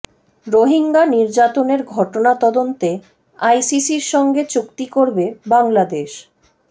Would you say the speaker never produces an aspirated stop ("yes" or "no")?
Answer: yes